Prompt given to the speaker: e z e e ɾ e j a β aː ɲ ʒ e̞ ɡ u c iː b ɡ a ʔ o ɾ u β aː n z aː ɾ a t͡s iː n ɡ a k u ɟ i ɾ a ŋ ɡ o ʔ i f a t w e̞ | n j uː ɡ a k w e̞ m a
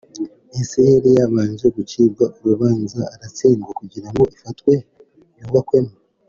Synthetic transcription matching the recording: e s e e ɾ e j a β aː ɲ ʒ e̞ ɡ u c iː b ɡ a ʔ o ɾ u β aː n z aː ɾ a t͡s iː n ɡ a k u ɟ i ɾ a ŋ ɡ o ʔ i f a t w e̞ | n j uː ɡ a k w e̞ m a